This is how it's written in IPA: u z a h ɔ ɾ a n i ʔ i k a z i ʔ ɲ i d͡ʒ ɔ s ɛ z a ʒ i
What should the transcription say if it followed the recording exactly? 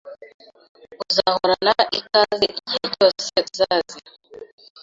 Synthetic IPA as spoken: u z a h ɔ ɾ a n a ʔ i k a z i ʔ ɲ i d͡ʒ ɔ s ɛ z a z i

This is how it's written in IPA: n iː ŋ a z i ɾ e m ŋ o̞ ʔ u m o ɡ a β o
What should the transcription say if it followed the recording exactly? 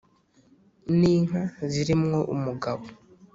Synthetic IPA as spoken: n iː ŋ a z i ɾ i m ŋ o̞ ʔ u m u ɡ a β o

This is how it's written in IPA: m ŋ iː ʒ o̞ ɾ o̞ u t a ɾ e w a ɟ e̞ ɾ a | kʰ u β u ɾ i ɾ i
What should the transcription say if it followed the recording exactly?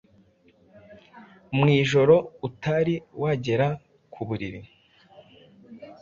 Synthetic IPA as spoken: m ŋ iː ʒ o̞ ɾ o̞ u t a ɾ i w a ɟ e̞ ɾ a | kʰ u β u ɾ i ɾ i

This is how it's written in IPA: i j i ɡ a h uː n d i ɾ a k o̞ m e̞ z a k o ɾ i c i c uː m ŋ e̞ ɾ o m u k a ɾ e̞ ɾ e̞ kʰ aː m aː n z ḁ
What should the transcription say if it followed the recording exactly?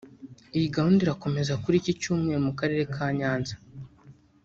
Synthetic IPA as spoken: i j i ɡ a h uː n d i ɾ a k o̞ m e̞ z a k u ɾ i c i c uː m ŋ e̞ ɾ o m u k a ɾ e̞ ɾ e̞ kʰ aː ɲ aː n z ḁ

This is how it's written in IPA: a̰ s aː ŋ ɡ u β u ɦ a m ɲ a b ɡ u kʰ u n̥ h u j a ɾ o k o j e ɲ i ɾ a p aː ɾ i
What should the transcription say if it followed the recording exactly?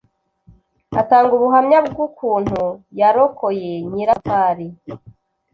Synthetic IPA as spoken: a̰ t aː ŋ ɡ u β u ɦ a m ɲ a b ɡ u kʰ uː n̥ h u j a ɾ o k o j e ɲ i ɾ a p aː ɾ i

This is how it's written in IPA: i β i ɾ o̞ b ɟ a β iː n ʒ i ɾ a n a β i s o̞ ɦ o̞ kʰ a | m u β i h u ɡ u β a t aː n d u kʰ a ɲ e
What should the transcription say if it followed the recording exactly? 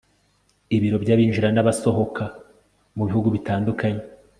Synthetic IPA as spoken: i β i ɾ o̞ b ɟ a β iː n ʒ i ɾ a n a β a s o̞ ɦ o̞ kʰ a | m u β i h u ɡ u β i t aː n d u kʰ a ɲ e

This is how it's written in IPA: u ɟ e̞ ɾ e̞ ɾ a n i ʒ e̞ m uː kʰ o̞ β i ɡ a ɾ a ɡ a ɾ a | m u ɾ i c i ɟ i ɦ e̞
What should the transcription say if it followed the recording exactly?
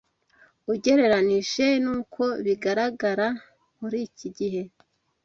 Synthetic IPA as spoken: u ɟ e̞ ɾ e̞ ɾ a n i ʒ e̞ n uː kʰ o̞ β i ɡ a ɾ a ɡ a ɾ a | m u ɾ i c i ɟ i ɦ e̞

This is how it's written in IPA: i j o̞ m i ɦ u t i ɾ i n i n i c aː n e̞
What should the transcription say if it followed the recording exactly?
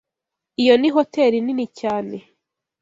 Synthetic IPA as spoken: i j o̞ n i ɦ o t e ɾ i n i n i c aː n e̞

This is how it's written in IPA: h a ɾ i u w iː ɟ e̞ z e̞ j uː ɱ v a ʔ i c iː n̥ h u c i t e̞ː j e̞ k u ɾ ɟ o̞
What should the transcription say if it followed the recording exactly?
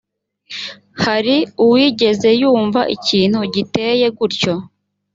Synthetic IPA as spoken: h a ɾ i u w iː ɟ e̞ z e̞ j uː ɱ v a ʔ i c iː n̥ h u ɟ i t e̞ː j e̞ ɡ u ɾ c o̞

